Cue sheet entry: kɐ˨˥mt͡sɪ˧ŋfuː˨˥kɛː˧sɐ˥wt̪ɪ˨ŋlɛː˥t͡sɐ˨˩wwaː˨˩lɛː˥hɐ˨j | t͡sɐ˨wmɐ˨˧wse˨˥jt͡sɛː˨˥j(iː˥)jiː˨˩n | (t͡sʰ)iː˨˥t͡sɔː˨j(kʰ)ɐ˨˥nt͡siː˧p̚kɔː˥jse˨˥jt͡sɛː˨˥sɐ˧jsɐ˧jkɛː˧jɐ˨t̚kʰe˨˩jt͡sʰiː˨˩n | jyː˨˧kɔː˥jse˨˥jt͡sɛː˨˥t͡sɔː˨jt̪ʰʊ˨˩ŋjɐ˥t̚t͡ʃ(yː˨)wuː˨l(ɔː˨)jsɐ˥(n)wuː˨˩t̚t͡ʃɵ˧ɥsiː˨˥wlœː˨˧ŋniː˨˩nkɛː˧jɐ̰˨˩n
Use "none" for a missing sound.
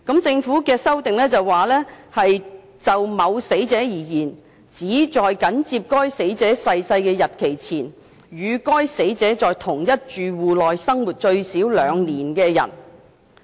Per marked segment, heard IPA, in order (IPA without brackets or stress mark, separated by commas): iː˨˩, t͡s, k, yː˨, ɔː˨, ŋ